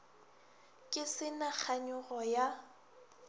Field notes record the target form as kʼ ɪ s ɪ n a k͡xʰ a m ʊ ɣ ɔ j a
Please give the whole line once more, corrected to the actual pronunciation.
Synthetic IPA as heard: kʼ ɪ s ɪ n a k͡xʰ a ɲ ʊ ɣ ɔ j a